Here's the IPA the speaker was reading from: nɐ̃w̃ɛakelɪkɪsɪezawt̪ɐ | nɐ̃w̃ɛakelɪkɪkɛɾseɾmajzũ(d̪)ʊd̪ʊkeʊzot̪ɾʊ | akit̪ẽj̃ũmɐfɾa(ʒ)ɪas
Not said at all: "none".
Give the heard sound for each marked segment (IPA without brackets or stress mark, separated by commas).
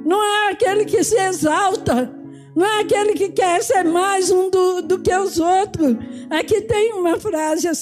d̪, z